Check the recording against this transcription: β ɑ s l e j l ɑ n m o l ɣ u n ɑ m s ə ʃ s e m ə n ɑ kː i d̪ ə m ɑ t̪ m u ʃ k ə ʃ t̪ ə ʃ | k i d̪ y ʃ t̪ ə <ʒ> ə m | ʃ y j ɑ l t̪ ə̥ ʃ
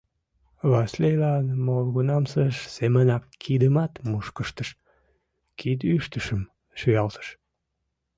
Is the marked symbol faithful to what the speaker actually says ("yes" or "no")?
no